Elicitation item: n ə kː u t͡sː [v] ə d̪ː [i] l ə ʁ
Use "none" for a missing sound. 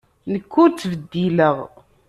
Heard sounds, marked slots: v, i

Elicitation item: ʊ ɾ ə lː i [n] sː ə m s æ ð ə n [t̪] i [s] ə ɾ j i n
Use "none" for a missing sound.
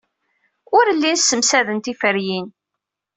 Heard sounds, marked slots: n, t̪, f

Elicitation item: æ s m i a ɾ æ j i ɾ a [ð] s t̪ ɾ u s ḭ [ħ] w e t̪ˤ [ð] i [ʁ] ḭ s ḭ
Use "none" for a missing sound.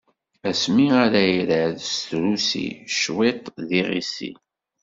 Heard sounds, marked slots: ð, ʃ, ð, ʁ

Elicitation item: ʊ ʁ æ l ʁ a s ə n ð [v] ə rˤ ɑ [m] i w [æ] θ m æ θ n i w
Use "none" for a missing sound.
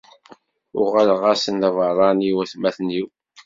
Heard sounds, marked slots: v, n, æ

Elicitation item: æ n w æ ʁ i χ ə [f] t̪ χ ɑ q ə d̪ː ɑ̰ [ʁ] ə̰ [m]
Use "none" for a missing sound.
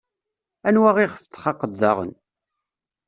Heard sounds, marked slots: f, ʁ, n

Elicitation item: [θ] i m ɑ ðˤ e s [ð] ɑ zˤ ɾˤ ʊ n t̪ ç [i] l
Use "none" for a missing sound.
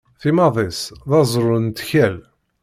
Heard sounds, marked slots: θ, ð, æ

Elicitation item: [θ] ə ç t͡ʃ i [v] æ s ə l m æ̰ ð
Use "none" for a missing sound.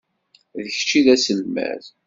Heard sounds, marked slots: ð, ð

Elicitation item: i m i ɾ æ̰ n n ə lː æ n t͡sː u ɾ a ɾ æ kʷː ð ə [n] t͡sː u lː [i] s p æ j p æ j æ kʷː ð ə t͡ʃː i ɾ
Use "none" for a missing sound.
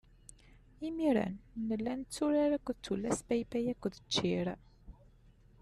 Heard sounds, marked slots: none, æ

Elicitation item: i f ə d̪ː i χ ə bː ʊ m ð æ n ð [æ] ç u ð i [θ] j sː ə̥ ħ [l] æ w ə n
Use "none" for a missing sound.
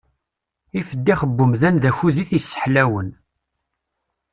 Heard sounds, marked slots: æ, θ, l

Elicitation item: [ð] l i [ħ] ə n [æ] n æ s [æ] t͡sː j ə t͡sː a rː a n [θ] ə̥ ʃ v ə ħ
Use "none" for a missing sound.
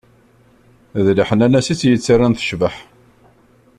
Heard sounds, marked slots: ð, ħ, æ, i, θ

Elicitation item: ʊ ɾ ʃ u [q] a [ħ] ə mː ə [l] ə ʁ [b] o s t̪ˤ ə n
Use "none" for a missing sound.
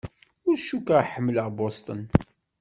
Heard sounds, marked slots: k, ħ, l, b

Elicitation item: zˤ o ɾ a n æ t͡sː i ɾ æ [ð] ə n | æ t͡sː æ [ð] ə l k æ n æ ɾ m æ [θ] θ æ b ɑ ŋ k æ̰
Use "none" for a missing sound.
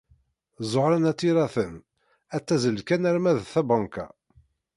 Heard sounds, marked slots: θ, z, ð

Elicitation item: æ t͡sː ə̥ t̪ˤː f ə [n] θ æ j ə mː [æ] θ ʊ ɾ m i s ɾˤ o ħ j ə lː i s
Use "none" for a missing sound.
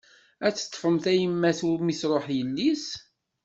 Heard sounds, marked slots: m, æ

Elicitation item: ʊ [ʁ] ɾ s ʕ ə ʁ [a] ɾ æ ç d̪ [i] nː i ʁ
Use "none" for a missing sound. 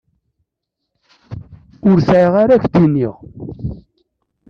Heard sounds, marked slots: none, a, i

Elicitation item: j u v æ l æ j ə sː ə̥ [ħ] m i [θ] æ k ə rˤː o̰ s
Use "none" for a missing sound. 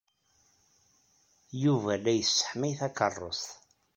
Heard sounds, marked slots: ħ, θ

